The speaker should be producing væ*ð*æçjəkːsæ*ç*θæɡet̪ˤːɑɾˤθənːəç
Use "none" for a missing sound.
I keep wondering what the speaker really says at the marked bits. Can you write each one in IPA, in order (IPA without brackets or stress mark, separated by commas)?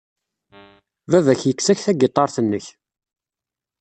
v, ç